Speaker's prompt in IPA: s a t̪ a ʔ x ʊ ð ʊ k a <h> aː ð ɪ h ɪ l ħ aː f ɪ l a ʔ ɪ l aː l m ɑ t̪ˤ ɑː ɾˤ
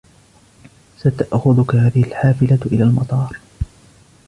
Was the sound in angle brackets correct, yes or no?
yes